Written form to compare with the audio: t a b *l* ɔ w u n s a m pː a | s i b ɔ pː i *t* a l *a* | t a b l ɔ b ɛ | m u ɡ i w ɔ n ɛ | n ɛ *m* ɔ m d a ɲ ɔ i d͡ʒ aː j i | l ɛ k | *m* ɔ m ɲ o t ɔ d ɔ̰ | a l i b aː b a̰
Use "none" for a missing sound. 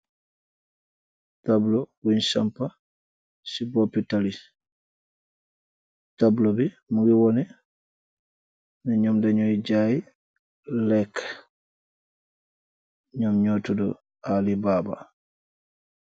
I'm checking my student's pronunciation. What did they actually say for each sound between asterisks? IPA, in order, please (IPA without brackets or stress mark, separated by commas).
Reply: l, t, i, ɲ, ɲ